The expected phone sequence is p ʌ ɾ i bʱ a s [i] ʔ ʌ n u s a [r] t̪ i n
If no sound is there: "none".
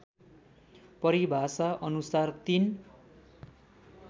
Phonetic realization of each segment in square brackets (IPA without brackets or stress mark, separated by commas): a, r